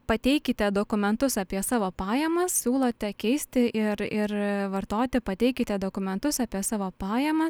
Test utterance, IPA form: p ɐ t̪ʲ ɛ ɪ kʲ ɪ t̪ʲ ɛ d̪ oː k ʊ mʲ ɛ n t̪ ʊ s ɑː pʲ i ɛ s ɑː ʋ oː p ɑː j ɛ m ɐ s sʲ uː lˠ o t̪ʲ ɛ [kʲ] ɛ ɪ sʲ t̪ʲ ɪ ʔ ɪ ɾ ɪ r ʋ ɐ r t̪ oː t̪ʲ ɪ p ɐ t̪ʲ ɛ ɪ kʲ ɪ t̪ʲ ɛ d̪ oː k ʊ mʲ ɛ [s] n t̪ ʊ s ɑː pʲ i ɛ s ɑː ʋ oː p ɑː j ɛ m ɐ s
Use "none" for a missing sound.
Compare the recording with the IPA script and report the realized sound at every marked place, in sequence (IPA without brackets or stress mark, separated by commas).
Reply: kʲ, none